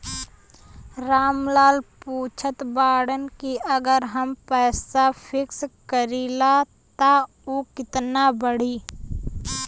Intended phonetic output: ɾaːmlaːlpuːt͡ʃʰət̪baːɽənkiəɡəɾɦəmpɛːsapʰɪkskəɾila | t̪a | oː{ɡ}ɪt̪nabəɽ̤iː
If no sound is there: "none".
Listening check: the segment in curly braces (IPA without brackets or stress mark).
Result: k